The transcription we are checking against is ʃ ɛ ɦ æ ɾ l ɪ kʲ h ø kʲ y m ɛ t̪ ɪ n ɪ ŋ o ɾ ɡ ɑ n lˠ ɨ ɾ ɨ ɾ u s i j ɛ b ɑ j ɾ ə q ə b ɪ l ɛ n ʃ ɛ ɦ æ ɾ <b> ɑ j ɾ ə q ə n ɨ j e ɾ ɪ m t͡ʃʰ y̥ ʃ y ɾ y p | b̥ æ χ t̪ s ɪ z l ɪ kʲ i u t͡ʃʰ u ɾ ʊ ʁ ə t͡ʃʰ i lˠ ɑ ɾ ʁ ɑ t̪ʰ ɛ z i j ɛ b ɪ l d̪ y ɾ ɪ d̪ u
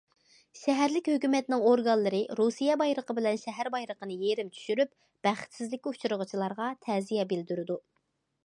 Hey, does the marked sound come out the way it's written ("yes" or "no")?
yes